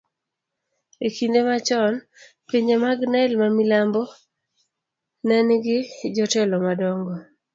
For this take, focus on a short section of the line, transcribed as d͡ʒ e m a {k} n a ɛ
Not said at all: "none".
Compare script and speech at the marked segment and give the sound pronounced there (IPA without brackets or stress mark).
ɡ